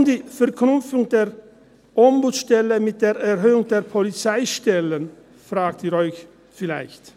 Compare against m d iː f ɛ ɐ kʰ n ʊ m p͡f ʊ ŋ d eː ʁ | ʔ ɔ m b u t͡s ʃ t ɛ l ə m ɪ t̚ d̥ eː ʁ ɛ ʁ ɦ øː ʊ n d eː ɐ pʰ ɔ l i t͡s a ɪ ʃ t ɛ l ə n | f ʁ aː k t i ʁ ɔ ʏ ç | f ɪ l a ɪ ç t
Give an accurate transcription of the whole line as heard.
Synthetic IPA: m d iː f ɛ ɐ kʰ n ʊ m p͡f ʊ ŋ d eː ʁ | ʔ ɔ m b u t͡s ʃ t ɛ l ə m ɪ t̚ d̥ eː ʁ ɛ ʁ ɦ øː ʊ ŋ d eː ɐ pʰ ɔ l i t͡s a ɪ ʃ t ɛ l ə n | f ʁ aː k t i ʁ ɔ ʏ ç | f ɪ l a ɪ ç t